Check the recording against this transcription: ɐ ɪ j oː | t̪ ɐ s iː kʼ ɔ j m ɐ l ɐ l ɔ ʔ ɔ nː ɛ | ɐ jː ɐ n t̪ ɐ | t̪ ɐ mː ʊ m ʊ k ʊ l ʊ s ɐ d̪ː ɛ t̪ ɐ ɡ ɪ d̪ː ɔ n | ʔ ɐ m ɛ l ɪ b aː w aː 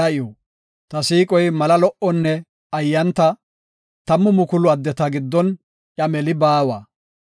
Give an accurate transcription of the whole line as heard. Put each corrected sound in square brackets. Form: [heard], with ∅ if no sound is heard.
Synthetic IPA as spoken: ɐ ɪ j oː | t̪ ɐ s iː kʼ ɔ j m ɐ l ɐ l ɔ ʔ ɔ nː ɛ | ɐ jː ɐ n t̪ ɐ | t̪ ɐ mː ʊ m ʊ k ʊ l ʊ [∅] ɐ d̪ː ɛ t̪ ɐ ɡ ɪ d̪ː ɔ n | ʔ ɐ m ɛ l ɪ b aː w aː